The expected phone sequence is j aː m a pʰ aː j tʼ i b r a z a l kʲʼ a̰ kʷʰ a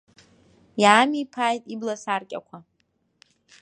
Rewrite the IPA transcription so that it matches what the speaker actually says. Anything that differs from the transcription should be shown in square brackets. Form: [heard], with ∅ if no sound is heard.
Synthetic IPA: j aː m [i] pʰ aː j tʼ i b [l] a [s] a [r] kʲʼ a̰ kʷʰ a